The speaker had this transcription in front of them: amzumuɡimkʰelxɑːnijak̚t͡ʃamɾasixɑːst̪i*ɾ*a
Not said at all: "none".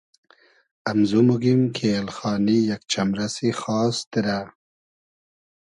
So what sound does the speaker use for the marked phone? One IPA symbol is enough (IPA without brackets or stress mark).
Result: ɾ